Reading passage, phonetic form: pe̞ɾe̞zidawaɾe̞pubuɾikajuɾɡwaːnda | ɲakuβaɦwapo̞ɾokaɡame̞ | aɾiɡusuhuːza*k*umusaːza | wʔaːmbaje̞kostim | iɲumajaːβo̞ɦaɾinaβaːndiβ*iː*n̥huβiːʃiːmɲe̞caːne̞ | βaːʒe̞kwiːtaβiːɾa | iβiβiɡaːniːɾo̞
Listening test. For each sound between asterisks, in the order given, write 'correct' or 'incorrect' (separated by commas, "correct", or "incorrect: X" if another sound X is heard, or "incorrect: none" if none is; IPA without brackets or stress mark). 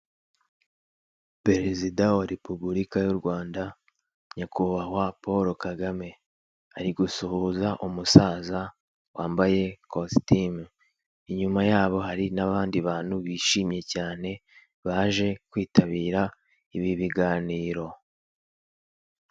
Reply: incorrect: ʔ, incorrect: aː